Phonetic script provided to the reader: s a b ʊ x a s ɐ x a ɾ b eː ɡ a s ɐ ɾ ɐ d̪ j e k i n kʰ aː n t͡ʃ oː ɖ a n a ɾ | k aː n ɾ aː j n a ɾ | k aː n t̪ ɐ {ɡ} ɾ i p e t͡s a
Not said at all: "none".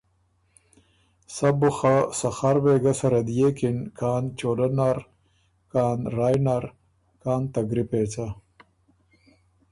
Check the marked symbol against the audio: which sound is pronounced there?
ɡ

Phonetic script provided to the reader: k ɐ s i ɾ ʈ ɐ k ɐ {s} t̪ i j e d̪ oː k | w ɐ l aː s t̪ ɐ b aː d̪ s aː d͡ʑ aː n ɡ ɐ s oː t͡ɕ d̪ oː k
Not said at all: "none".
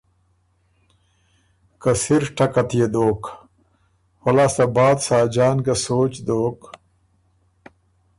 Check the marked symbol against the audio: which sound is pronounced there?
none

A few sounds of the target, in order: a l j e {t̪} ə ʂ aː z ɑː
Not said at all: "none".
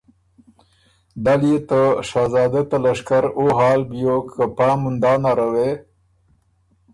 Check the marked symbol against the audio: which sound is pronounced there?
t̪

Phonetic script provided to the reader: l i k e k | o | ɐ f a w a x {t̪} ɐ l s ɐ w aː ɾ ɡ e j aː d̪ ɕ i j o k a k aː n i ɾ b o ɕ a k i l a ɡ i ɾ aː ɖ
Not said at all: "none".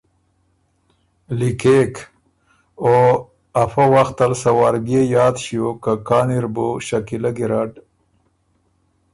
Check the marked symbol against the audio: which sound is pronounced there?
t̪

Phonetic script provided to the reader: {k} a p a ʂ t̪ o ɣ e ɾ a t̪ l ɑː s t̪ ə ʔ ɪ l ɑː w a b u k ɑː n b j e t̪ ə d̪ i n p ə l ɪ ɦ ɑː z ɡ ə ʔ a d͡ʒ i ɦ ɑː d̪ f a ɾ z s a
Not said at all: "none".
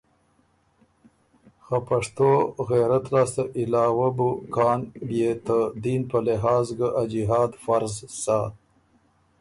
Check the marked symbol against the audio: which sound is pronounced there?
x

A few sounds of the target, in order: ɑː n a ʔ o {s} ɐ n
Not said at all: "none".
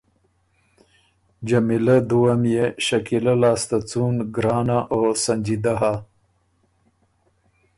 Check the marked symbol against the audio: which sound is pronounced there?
s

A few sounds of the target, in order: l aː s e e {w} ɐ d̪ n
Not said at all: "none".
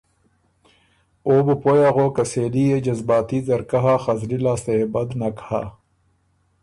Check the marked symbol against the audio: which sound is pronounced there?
b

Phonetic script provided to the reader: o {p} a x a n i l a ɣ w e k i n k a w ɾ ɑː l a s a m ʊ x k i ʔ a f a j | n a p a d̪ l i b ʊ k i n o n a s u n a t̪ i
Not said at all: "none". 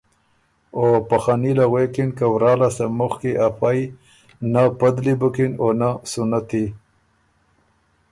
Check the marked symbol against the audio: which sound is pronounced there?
p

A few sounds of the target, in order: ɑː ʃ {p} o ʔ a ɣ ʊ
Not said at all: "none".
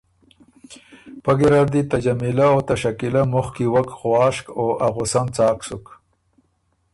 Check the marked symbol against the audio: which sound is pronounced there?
k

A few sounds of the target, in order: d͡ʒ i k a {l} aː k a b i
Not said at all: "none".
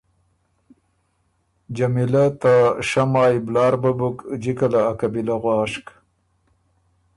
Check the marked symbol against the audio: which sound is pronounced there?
l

